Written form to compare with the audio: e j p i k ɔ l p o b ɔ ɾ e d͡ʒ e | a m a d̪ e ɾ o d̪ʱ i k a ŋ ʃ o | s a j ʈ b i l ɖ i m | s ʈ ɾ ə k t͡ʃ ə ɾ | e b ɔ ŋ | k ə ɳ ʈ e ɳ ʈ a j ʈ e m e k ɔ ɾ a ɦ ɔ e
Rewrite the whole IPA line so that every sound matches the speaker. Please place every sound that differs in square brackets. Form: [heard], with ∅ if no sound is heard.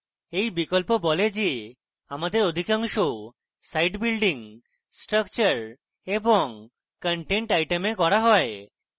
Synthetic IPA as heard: e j [b] i k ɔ l p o b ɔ [l] e d͡ʒ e | a m a d̪ e ɾ o d̪ʱ i k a ŋ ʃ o | s a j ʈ b i l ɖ i [ŋ] | s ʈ ɾ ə k t͡ʃ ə ɾ | e b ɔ ŋ | k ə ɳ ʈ e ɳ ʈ a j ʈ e m e k ɔ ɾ a ɦ ɔ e